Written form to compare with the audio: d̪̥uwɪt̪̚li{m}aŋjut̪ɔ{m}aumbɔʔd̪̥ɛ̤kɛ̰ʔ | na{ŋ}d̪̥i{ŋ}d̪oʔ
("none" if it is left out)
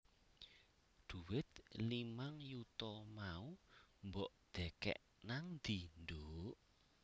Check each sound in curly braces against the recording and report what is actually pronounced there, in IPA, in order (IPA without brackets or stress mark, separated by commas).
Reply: m, m, ŋ, n